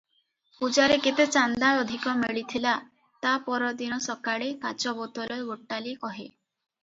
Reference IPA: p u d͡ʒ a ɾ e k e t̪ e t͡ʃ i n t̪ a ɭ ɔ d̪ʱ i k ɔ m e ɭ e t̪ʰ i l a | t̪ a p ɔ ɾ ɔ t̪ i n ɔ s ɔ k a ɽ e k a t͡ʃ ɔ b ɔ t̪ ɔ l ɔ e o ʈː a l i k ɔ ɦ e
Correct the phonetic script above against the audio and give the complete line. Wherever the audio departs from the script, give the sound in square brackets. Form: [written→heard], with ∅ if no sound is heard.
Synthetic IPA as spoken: p u d͡ʒ a ɾ e k e t̪ e t͡ʃ [i→a] n [t̪→d̪] a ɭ ɔ d̪ʱ i k ɔ m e ɭ [e→i] t̪ʰ i l a | t̪ a p ɔ ɾ ɔ [t̪→d̪] i n ɔ s ɔ k a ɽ e k a t͡ʃ ɔ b ɔ t̪ ɔ l ɔ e o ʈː a l i k ɔ ɦ e